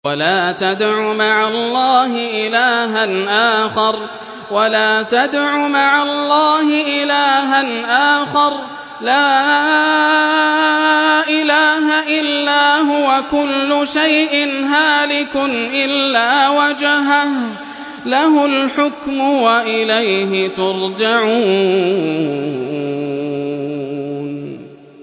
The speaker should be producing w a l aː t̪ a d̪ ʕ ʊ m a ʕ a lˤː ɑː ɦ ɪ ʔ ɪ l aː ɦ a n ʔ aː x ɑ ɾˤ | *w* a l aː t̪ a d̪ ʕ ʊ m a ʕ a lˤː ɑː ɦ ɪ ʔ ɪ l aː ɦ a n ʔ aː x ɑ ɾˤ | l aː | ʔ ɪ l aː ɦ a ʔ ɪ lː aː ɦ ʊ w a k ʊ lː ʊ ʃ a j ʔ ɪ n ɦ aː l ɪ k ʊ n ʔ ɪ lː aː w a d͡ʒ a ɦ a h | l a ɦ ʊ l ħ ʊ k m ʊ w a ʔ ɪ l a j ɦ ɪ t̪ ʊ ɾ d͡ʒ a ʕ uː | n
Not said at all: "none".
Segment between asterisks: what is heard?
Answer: w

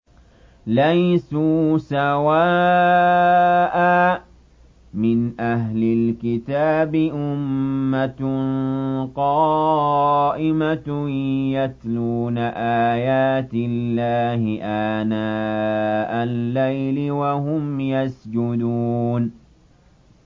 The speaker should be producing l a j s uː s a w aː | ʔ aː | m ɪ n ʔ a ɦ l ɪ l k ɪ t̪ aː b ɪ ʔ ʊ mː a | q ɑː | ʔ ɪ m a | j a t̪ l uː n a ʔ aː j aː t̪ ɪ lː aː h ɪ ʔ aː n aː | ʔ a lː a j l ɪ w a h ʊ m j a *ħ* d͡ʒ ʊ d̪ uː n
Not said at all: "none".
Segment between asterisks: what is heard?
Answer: s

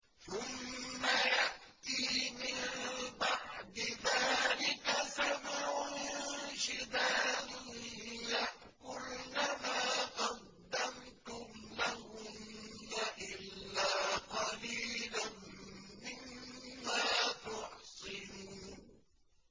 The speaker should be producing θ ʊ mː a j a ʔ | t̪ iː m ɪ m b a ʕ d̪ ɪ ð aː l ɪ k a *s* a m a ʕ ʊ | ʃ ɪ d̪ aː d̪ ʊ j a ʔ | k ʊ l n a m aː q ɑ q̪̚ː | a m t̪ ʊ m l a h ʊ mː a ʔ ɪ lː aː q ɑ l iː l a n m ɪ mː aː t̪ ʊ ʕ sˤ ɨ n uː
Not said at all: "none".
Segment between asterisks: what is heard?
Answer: s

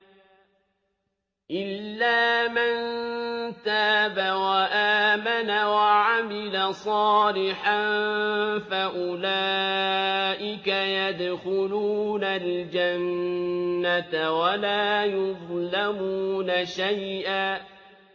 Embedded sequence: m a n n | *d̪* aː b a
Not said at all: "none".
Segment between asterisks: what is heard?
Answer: t̪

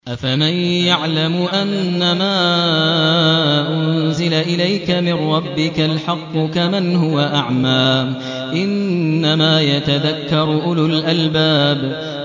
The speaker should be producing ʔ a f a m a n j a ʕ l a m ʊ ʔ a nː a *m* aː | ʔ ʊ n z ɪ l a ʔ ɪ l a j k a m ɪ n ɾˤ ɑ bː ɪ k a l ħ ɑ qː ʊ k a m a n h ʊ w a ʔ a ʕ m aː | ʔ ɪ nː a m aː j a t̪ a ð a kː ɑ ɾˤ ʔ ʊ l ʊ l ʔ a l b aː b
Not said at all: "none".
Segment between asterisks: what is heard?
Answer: m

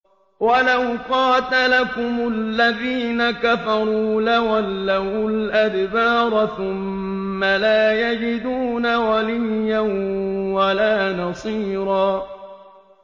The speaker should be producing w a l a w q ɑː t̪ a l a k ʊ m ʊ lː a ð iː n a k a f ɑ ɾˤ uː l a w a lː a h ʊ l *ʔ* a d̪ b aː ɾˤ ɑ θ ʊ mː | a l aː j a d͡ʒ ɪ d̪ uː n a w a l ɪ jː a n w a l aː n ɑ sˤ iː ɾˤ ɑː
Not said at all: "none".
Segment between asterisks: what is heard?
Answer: ʔ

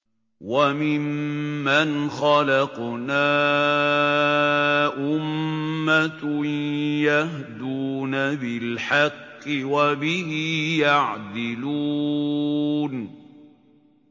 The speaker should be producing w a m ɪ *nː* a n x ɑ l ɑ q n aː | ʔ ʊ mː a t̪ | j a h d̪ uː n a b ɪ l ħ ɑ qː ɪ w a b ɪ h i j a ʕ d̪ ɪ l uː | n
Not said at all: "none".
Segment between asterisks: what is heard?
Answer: mː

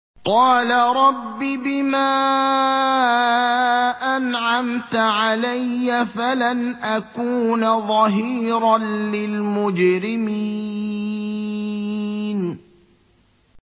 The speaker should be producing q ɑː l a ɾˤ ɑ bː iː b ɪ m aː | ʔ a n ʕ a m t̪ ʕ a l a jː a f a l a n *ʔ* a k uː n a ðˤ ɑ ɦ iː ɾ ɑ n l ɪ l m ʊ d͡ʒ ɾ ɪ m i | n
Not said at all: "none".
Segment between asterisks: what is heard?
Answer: ʔ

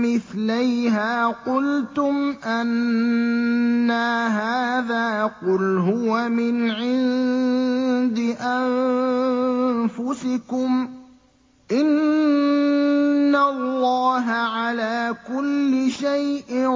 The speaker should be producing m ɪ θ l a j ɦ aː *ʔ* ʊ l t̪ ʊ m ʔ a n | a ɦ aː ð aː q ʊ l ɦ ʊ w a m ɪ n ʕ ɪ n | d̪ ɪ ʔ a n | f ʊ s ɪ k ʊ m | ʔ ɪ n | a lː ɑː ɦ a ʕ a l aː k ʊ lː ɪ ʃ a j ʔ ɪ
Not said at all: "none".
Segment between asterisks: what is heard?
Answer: q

